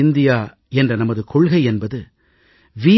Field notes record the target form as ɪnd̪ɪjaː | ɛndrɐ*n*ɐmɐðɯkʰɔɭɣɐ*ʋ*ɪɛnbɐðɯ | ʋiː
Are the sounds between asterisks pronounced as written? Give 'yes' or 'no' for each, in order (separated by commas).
yes, no